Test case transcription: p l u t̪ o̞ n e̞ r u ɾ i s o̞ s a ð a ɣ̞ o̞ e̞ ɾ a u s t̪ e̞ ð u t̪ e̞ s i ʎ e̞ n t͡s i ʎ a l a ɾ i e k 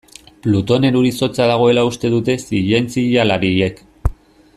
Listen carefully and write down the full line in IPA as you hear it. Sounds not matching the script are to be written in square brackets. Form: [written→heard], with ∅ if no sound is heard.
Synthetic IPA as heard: p l u t̪ o̞ n e̞ [r→ɾ] u ɾ i s o̞ [s→t͡s] a ð a ɣ̞ o̞ e̞ [ɾ→l] a u s t̪ e̞ ð u t̪ e̞ s i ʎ e̞ n t͡s i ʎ a l a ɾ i e k